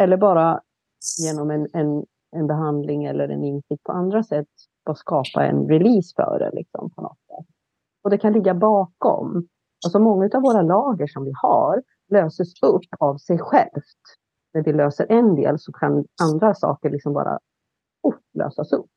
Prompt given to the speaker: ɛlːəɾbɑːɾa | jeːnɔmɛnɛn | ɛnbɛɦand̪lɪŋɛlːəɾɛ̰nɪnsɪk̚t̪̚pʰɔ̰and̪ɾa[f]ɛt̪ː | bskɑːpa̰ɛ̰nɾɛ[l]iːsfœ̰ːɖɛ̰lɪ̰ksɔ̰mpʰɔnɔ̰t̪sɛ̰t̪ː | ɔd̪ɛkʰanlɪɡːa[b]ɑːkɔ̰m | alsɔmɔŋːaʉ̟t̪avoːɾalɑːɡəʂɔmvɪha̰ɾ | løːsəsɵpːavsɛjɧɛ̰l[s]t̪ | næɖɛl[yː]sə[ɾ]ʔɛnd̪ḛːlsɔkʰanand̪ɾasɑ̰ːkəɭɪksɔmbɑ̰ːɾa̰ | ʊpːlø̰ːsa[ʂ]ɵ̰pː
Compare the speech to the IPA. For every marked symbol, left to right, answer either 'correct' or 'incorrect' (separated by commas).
incorrect, correct, correct, incorrect, incorrect, correct, incorrect